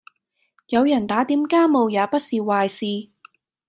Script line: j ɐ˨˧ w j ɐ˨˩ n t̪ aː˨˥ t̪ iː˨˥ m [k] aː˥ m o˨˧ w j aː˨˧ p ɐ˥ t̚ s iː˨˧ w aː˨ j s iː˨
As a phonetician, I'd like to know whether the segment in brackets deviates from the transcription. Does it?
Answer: no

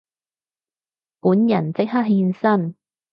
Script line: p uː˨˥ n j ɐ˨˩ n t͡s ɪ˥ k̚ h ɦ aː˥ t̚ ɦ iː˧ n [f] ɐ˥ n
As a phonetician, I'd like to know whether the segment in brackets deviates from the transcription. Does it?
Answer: yes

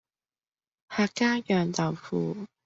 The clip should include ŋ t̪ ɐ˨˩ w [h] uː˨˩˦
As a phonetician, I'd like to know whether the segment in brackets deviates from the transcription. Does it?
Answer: yes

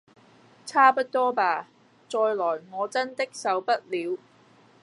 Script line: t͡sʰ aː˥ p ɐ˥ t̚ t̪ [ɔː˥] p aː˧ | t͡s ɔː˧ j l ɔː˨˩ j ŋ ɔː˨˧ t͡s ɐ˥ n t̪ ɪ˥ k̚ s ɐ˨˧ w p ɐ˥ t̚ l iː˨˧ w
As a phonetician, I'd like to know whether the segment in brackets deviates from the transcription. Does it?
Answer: no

